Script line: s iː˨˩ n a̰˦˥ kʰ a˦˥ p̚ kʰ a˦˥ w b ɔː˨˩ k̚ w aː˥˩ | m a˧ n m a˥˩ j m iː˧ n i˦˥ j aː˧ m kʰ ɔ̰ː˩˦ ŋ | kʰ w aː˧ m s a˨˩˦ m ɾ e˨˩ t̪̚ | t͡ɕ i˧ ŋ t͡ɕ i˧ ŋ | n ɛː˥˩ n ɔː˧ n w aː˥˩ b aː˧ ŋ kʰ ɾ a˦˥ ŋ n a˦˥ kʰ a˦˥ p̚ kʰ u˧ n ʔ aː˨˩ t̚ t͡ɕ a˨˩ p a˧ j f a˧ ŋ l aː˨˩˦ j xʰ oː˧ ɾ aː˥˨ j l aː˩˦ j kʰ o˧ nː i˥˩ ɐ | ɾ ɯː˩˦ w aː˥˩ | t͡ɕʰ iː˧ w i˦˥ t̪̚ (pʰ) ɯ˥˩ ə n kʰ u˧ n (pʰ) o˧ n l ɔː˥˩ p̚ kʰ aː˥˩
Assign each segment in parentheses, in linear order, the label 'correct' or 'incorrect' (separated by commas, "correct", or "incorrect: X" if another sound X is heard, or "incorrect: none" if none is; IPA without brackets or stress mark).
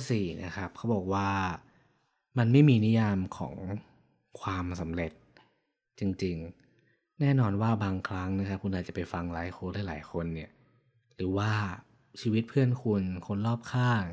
correct, incorrect: kʰ